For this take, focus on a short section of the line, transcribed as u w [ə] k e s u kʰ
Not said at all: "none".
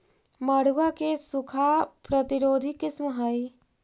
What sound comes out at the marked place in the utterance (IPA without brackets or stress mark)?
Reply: a